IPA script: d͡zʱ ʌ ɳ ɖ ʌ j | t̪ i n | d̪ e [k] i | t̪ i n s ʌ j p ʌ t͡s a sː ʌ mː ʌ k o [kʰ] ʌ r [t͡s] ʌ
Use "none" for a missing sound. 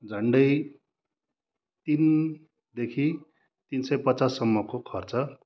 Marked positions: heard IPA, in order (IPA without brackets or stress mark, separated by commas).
kʰ, kʰ, t͡s